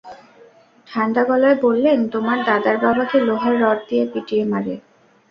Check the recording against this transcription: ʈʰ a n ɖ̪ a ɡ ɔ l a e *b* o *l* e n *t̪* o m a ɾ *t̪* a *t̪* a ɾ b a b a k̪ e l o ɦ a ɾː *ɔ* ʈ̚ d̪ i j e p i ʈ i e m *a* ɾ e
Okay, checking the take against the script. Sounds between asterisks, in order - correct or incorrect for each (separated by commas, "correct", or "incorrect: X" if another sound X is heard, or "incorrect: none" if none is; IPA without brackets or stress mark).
correct, incorrect: lː, correct, incorrect: d̪, incorrect: d̪, correct, correct